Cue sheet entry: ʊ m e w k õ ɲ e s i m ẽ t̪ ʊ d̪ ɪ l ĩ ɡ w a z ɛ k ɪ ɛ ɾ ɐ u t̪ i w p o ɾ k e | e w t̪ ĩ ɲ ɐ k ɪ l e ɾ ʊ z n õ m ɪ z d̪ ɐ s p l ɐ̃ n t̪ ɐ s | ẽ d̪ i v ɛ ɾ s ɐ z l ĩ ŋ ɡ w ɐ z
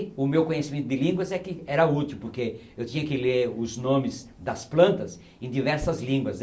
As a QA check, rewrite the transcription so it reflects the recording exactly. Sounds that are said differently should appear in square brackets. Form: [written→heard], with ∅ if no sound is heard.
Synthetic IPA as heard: ʊ m e w k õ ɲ e s i m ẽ t̪ ʊ d̪ ɪ l ĩ ɡ w [a→ɐ] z ɛ k ɪ ɛ ɾ ɐ u t̪ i w p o ɾ k e | e w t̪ ĩ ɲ ɐ k ɪ l e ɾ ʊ z n õ m ɪ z d̪ ɐ s p l ɐ̃ n t̪ ɐ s | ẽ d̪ i v ɛ ɾ s ɐ z l ĩ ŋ ɡ w ɐ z